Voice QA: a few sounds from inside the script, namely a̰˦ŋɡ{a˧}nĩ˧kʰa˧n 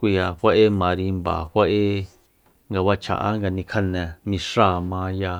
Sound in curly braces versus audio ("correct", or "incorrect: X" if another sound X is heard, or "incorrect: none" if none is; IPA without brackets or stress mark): correct